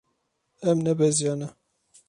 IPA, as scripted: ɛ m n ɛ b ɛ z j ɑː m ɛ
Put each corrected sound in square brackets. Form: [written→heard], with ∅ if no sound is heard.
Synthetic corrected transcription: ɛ m n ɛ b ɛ z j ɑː [m→n] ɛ